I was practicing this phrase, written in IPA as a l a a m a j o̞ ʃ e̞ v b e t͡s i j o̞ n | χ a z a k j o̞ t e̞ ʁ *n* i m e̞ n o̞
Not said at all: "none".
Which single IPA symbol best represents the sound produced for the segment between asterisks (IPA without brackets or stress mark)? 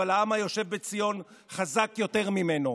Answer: m